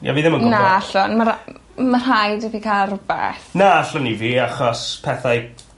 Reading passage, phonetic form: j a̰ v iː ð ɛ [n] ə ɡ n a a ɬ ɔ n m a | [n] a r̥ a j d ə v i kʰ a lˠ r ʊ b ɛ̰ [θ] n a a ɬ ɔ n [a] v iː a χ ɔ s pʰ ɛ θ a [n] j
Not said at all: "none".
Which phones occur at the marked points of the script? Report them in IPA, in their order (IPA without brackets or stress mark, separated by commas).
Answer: m, m, θ, i, none